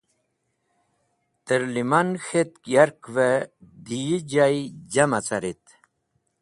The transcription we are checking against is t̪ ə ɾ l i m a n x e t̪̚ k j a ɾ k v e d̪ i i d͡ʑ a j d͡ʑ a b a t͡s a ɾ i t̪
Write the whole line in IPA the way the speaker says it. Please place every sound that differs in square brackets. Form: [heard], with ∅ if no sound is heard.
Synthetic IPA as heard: t̪ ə ɾ l i m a n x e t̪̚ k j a ɾ k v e d̪ i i d͡ʑ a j d͡ʑ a [m] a t͡s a ɾ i t̪